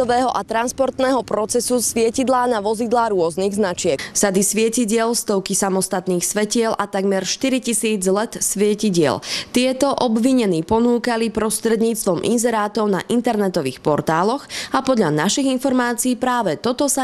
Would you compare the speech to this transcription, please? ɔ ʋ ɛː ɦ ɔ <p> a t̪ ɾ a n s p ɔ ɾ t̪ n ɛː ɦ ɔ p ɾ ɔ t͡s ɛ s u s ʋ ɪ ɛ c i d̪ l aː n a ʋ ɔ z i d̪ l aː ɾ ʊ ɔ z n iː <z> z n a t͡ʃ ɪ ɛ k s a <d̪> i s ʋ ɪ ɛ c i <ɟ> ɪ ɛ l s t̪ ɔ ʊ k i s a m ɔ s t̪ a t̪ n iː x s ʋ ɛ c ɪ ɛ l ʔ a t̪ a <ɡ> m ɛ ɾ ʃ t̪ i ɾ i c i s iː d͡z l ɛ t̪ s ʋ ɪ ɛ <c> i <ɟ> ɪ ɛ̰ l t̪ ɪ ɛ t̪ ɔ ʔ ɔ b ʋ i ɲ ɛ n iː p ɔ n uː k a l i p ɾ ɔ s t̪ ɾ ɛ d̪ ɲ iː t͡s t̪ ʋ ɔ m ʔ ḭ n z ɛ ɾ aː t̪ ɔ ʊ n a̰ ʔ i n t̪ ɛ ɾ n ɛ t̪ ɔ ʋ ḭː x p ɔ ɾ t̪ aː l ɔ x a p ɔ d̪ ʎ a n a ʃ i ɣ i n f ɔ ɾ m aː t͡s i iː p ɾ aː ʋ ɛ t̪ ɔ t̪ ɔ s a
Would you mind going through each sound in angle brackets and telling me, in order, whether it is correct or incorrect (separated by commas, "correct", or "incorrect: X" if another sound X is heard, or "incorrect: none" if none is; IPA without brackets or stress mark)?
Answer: incorrect: ʔ, incorrect: ɣ, correct, correct, correct, correct, correct